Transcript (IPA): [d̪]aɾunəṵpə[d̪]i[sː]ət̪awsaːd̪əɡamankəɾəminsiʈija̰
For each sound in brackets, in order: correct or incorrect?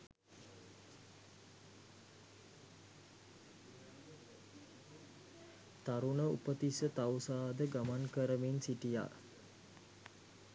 incorrect, incorrect, incorrect

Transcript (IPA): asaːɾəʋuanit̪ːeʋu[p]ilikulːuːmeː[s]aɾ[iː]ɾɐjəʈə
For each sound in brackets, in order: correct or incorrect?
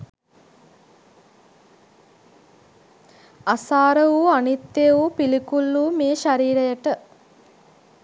correct, incorrect, correct

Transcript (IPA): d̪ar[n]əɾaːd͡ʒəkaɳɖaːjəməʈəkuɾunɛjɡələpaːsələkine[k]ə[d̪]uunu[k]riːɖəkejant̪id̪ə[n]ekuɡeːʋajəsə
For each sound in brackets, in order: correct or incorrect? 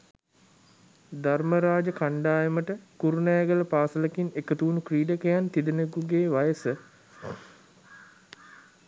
incorrect, correct, incorrect, correct, correct

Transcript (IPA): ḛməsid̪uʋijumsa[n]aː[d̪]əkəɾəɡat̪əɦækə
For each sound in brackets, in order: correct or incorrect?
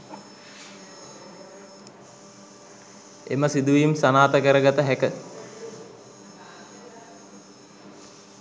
correct, incorrect

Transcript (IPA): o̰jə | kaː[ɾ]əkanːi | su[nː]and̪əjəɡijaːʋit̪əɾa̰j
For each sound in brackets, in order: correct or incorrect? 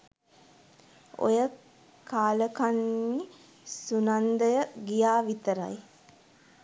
incorrect, incorrect

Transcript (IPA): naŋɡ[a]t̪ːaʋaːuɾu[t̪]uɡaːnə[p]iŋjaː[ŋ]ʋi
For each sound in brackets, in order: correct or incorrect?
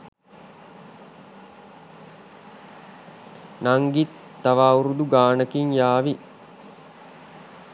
incorrect, incorrect, incorrect, incorrect

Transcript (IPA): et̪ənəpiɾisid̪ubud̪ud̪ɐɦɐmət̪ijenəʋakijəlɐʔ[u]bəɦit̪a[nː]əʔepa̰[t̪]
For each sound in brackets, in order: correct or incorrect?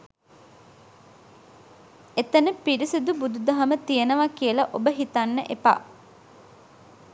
incorrect, correct, incorrect

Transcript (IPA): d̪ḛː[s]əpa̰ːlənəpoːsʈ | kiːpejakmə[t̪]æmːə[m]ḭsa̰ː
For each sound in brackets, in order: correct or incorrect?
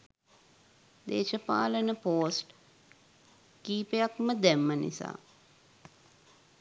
incorrect, incorrect, incorrect

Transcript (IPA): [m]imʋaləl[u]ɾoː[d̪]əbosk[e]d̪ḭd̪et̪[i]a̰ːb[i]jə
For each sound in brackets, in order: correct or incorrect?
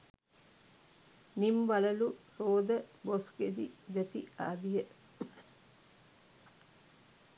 incorrect, correct, correct, correct, correct, correct

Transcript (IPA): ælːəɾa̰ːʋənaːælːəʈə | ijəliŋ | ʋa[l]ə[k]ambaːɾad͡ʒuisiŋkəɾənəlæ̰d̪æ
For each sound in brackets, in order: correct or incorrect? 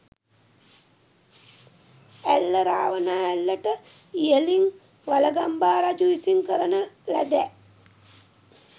correct, incorrect

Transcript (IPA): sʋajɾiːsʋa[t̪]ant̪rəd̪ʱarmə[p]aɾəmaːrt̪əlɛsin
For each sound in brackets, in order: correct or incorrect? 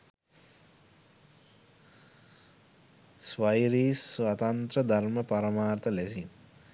correct, correct

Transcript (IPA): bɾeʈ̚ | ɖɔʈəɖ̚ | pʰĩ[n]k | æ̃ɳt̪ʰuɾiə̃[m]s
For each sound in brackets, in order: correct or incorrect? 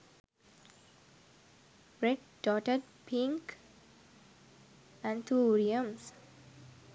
incorrect, correct

